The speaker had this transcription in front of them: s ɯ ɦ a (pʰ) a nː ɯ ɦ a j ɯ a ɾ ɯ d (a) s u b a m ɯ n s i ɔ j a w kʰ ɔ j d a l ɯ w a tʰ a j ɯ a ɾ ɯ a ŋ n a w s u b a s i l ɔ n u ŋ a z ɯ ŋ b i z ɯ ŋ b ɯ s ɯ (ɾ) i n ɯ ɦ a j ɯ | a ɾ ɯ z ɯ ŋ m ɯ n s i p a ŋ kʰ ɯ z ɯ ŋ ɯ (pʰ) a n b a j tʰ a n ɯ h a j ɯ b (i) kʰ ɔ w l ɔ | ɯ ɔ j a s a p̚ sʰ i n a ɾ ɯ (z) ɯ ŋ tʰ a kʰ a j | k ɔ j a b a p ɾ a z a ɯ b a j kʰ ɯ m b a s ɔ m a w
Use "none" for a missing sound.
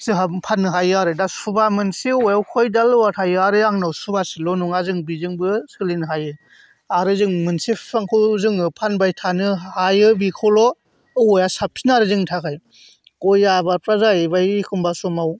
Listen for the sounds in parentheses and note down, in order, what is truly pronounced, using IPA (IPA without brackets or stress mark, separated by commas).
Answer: pʰ, a, l, pʰ, i, z